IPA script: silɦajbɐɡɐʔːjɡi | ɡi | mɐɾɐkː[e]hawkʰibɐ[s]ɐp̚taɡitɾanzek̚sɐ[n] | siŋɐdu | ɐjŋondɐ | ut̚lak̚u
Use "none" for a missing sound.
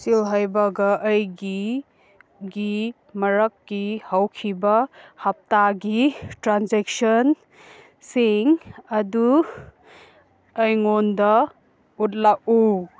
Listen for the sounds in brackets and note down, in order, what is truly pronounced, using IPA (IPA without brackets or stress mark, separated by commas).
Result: i, h, n